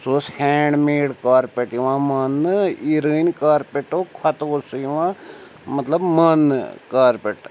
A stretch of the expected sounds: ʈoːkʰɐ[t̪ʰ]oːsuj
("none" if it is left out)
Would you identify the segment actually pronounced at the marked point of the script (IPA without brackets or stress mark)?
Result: t̪